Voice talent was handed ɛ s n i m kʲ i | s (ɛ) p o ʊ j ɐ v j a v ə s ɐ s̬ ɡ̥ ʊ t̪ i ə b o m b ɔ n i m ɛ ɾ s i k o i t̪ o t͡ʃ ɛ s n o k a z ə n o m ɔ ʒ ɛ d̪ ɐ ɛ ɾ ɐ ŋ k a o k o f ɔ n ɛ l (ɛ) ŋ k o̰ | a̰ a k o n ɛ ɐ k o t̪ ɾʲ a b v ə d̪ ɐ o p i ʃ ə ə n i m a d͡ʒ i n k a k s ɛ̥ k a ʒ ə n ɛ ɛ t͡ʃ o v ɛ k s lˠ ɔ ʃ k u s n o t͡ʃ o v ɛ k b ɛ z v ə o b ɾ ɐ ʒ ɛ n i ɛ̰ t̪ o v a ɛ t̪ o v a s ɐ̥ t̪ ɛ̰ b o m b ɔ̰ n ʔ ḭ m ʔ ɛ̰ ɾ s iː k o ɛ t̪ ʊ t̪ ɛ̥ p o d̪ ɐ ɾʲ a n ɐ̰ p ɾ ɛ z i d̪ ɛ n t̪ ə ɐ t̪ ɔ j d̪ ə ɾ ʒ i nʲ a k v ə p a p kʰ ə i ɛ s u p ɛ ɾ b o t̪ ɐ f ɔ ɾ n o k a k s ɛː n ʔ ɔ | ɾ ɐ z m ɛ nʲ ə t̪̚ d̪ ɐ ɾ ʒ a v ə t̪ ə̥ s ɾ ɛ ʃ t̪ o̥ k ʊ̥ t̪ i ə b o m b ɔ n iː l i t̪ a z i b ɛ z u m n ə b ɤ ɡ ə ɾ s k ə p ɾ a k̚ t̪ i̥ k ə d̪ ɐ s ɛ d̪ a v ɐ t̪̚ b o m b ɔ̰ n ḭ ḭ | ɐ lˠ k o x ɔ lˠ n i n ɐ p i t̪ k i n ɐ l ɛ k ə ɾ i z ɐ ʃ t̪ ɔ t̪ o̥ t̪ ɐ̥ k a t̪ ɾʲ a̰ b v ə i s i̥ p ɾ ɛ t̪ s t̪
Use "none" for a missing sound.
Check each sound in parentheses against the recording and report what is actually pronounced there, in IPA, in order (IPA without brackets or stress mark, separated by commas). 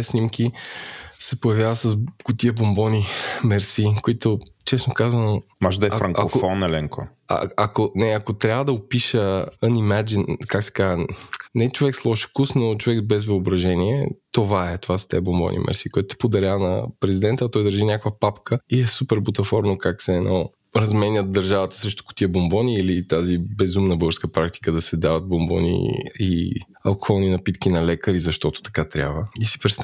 ɛ, ɛ